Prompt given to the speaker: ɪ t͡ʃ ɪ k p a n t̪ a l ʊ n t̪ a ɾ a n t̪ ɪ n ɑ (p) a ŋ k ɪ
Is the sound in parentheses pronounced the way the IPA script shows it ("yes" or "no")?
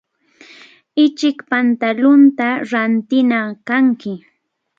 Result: no